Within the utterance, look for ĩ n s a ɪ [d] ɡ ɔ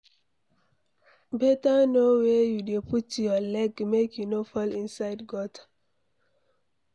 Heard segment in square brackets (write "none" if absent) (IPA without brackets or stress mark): d